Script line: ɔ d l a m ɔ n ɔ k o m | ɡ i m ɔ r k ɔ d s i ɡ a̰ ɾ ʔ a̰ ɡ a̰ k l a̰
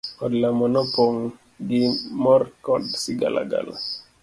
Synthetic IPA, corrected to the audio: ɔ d l a m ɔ n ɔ p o ŋ | ɡ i m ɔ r k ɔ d s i ɡ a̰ l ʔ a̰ ɡ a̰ l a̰